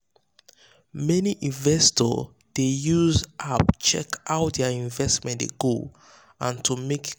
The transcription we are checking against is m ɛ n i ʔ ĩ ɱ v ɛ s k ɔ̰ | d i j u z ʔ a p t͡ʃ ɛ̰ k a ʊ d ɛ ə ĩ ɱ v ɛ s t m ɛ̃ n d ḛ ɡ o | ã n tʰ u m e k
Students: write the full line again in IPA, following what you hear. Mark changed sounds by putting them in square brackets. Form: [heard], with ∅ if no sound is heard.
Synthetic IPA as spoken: m ɛ n i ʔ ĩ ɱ v ɛ s [t] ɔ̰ | d [e] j u z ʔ a p t͡ʃ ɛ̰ k a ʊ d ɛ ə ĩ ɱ v ɛ s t m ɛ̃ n d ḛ ɡ o | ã n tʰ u m e k